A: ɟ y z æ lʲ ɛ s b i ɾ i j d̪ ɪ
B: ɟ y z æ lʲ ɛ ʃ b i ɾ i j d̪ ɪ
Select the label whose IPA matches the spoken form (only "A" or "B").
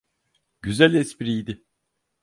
A